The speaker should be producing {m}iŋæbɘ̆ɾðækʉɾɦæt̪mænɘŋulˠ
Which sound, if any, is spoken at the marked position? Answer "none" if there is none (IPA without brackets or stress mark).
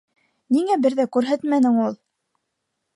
n